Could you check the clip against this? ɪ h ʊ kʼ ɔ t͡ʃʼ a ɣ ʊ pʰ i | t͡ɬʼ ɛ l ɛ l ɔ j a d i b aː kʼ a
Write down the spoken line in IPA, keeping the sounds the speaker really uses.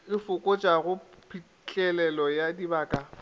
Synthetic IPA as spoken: ɪ f ʊ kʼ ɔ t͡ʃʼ a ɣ ʊ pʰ i | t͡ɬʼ ɛ l ɛ l ɔ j a d i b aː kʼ a